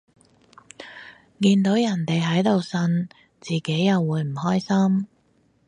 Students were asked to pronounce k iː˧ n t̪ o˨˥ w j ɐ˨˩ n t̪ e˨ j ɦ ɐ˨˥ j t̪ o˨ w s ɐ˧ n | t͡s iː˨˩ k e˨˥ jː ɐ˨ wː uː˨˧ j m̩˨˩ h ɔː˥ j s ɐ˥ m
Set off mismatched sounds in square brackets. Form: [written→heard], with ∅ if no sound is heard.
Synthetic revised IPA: k iː˧ n t̪ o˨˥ w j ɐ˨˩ n t̪ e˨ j ɦ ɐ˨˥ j t̪ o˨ w s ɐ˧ n | t͡s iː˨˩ k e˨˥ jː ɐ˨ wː uː˨˧ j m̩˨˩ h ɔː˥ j s ɐ˥ m